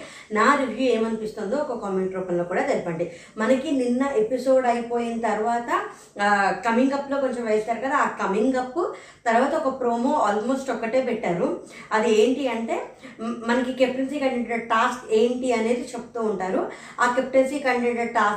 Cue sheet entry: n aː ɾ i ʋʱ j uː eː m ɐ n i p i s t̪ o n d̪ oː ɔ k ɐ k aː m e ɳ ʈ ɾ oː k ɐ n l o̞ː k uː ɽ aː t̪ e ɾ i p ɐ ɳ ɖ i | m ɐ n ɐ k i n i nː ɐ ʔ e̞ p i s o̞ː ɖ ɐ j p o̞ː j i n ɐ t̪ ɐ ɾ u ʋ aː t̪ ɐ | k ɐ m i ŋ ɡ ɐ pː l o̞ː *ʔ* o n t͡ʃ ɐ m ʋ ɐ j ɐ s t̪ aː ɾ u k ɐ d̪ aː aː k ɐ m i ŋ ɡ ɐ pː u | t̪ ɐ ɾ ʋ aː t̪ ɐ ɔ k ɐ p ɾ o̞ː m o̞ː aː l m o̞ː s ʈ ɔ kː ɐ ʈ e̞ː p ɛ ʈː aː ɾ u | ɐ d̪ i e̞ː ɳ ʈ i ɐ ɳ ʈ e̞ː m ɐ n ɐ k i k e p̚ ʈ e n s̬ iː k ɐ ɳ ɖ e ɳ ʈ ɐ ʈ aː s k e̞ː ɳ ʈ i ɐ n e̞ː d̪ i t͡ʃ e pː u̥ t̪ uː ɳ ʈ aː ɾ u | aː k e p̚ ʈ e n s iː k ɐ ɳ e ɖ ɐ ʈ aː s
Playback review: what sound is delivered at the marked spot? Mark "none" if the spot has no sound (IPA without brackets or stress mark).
k